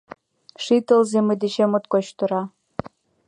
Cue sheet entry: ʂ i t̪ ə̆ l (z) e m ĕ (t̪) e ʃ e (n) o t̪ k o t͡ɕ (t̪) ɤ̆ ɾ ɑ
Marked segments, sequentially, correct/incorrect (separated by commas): correct, incorrect, incorrect, correct